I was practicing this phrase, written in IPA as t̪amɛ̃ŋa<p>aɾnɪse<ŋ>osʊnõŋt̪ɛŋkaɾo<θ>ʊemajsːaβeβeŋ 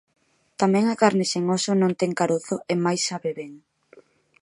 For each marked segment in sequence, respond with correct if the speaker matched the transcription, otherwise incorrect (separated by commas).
incorrect, correct, correct